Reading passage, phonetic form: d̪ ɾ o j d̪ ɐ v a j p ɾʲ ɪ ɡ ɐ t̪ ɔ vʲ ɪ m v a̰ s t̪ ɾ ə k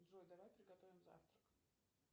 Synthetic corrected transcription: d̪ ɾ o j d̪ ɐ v a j p ɾʲ ɪ ɡ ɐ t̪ o vʲ ɪ m z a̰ f t̪ ɾ ə k